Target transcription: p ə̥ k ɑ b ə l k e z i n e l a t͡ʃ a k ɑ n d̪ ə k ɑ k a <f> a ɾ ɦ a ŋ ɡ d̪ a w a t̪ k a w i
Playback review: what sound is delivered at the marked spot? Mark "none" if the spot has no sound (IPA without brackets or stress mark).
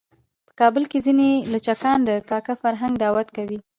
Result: f